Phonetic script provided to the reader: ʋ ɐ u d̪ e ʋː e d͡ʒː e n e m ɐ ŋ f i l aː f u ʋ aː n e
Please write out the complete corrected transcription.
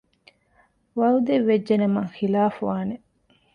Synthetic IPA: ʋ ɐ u d̪ e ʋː e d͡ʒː e n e m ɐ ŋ x i l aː f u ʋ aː n e